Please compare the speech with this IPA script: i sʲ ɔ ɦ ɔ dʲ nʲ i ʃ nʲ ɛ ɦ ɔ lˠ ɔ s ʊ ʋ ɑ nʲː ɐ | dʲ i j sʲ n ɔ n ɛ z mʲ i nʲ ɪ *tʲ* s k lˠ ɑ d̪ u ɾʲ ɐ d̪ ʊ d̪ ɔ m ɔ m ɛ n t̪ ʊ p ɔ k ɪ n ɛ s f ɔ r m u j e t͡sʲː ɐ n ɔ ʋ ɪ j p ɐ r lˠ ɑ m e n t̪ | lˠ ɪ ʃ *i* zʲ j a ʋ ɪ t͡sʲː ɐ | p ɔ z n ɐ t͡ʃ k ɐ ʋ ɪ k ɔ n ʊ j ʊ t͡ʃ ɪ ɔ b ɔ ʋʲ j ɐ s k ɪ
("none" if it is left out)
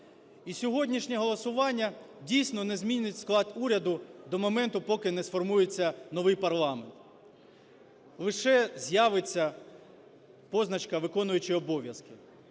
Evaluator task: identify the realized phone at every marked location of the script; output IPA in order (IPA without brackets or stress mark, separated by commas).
tʲ, ɛ